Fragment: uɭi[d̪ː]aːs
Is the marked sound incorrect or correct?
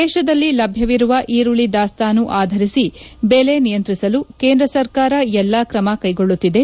incorrect